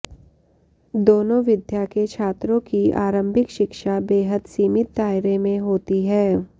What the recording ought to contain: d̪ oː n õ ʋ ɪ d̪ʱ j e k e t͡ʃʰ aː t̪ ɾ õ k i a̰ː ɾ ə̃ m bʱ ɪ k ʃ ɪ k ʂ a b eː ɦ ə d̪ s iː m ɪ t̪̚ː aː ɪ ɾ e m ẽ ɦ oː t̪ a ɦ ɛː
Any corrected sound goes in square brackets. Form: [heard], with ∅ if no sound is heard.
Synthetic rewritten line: d̪ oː n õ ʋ ɪ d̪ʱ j [a] k e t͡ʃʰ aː t̪ ɾ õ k i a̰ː ɾ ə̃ m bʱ ɪ k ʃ ɪ k [ʃ] a b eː ɦ ə d̪ s iː m ɪ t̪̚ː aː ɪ ɾ e m ẽ ɦ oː t̪ [i] ɦ ɛː